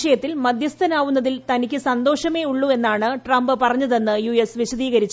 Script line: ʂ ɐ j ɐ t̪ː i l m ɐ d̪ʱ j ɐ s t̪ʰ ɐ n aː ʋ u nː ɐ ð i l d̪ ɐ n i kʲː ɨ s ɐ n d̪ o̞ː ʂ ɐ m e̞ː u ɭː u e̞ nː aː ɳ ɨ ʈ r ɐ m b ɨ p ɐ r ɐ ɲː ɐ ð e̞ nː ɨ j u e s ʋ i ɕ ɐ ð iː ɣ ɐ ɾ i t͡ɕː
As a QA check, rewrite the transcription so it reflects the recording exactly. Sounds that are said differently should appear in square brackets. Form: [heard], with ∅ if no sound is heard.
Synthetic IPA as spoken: ʂ ɐ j ɐ t̪ː i l m ɐ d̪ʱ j ɐ s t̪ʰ ɐ n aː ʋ u nː ɐ ð i l [t̪] ɐ n i kʲː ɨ s ɐ n d̪ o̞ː ʂ ɐ m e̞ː u ɭː u e̞ nː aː ɳ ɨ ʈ r ɐ m b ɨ p ɐ r ɐ ɲː ɐ ð e̞ nː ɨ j u e s ʋ i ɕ ɐ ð iː ɣ ɐ ɾ i t͡ɕː